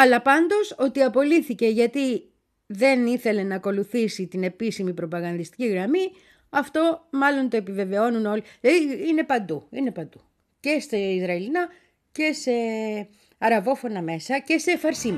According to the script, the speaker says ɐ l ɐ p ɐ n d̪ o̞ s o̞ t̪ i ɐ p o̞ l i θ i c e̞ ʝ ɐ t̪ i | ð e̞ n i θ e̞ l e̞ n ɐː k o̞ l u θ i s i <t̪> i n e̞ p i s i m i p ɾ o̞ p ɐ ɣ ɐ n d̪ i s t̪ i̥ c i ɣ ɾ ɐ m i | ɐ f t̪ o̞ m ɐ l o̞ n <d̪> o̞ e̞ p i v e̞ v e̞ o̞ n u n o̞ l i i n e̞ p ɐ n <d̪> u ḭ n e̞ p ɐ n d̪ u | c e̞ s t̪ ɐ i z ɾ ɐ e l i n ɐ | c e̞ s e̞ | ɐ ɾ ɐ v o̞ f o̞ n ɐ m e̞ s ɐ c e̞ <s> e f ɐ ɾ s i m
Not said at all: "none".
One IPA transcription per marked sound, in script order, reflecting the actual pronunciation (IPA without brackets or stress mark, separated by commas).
t̪, t̪, d̪, s